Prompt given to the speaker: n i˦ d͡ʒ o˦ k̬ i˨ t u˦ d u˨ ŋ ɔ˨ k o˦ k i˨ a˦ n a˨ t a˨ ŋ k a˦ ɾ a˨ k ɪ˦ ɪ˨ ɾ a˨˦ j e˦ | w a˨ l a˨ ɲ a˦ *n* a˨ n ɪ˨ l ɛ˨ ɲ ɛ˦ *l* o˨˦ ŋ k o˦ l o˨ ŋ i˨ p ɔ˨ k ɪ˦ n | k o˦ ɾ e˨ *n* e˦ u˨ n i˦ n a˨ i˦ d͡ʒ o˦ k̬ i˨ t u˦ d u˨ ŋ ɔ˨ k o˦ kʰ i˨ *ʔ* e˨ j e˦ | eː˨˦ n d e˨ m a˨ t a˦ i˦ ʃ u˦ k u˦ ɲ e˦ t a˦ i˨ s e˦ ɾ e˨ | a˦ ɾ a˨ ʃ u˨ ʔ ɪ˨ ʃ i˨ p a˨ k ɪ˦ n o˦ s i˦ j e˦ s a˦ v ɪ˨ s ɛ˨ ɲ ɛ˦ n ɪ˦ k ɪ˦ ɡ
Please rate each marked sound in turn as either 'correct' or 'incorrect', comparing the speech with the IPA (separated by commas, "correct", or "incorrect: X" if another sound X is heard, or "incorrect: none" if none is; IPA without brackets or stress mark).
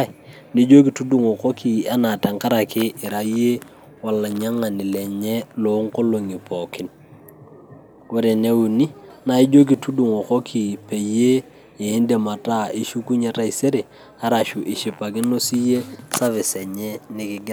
incorrect: ŋ, correct, correct, incorrect: p